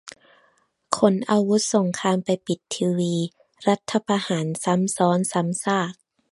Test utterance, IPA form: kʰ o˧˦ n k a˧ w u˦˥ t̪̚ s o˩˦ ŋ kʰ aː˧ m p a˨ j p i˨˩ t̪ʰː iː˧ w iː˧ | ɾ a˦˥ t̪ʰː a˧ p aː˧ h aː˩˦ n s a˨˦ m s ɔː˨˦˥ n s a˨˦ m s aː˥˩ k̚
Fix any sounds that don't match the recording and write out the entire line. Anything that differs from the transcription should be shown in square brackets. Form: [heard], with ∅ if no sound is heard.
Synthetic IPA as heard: kʰ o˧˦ n [ʔ] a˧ w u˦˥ t̪̚ s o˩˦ ŋ kʰ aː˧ m p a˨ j p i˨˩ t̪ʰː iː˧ w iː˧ | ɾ a˦˥ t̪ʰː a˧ p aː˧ h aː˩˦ n s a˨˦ m s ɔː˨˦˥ n s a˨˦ m s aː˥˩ k̚